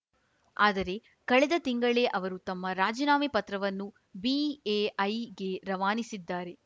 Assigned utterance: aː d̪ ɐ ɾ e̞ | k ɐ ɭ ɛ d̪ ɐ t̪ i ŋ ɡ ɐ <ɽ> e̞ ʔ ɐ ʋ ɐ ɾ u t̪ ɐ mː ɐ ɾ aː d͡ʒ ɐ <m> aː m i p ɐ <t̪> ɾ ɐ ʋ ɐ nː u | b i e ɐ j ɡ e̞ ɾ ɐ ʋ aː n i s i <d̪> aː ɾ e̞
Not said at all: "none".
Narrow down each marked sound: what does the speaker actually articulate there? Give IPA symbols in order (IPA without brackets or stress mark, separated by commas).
ɭ, n, t̪, d̪ː